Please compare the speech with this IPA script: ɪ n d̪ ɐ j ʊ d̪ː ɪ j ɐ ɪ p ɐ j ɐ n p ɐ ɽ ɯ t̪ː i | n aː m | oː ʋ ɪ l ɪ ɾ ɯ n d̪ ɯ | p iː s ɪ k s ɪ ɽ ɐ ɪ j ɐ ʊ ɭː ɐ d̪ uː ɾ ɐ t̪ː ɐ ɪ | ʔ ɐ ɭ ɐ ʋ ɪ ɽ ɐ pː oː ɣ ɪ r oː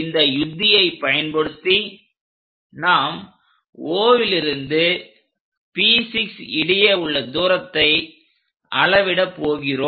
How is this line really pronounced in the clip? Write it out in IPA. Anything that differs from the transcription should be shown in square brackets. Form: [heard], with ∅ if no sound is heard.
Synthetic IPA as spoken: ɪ n d̪ ɐ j ʊ d̪ː ɪ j ɐ ɪ p ɐ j ɐ n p ɐ ɽ ɯ t̪ː i | n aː m | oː ʋ ɪ l ɪ ɾ ɯ n d̪ ɯ | p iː s ɪ k s ɪ ɽ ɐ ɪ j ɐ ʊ ɭː ɐ d̪ uː ɾ ɐ t̪ː ɐ ɪ | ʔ ɐ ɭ ɐ ʋ ɪ ɽ ɐ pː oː ɣ ɪ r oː